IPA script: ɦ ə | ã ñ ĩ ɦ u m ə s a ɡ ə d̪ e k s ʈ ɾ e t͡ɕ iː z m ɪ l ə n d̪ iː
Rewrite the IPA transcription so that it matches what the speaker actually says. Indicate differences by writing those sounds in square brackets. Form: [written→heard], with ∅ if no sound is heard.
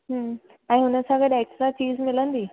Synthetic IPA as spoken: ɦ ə | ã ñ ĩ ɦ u [m→n] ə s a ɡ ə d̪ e k s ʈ ɾ [e→a] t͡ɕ iː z m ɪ l ə n d̪ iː